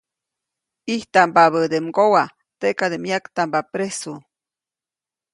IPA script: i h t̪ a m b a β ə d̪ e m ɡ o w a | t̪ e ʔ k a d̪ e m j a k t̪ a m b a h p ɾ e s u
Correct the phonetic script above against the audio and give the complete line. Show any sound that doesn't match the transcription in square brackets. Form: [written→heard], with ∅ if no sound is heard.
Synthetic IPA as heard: i h t̪ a m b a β ə d̪ e m ɡ o w a | t̪ e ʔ k a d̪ e m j a k t̪ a m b a [h→∅] p ɾ e s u